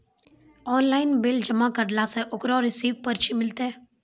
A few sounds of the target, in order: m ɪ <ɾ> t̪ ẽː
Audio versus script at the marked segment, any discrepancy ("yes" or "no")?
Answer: yes